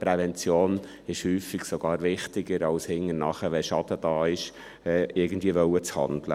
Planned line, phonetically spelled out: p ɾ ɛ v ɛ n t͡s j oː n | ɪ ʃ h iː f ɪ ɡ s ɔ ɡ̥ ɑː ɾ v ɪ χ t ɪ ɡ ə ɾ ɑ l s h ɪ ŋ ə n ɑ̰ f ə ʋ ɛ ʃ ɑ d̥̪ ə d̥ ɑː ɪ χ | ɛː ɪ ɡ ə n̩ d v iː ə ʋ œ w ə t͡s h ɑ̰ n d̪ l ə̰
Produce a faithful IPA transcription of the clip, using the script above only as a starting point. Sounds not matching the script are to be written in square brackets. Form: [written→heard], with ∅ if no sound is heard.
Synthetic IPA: p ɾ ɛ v ɛ n t͡s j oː n | ɪ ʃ h [iː→yː] f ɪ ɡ s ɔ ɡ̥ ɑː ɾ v ɪ χ t ɪ ɡ ə ɾ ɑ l s h ɪ ŋ ə n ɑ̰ [f→χ] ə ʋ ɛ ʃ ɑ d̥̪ ə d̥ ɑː ɪ [χ→ʃ] | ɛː ɪ ɡ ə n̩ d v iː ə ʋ œ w ə t͡s h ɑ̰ n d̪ l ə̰